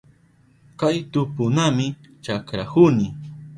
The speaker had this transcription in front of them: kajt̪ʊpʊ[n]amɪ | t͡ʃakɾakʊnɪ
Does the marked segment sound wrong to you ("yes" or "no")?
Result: no